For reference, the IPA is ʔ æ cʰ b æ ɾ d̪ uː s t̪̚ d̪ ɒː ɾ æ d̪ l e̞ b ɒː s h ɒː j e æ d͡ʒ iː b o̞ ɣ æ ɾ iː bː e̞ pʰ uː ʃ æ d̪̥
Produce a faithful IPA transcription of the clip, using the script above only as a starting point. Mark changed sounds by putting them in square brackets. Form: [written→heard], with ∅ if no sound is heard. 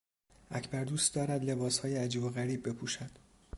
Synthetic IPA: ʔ æ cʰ b æ ɾ d̪ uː s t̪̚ d̪ ɒː ɾ æ d̪ l e̞ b ɒː s h ɒː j e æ d͡ʒ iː b o̞ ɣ æ ɾ iː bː e̞ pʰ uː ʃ æ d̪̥